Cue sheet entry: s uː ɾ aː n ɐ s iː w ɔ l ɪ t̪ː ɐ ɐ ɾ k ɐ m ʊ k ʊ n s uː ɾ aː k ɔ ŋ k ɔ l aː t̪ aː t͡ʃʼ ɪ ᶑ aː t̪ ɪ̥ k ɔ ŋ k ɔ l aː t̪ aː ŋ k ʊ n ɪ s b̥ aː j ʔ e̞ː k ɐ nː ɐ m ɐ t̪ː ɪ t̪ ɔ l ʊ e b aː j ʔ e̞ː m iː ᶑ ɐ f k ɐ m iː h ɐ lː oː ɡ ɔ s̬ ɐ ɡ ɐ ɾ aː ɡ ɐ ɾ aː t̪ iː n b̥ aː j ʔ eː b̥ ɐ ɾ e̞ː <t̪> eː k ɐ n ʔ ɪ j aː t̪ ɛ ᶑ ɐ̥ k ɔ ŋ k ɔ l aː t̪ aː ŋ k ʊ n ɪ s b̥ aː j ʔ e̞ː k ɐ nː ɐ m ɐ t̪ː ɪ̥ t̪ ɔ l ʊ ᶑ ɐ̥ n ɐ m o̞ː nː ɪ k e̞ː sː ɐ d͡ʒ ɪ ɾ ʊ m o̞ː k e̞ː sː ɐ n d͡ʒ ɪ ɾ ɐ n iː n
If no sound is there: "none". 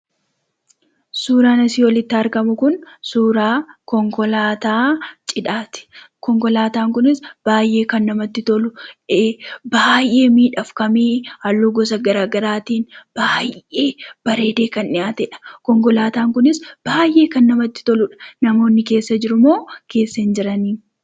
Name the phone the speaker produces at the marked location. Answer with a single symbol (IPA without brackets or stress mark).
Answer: d̪